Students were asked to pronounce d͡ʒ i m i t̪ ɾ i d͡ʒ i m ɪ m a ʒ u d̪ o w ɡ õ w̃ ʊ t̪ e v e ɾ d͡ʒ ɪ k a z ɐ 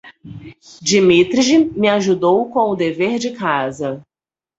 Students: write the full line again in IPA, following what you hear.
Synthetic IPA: d͡ʒ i m i t̪ ɾ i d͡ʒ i m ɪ a ʒ u d̪ o w k õ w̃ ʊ d̪ e v e ɾ d͡ʒ ɪ k a z ɐ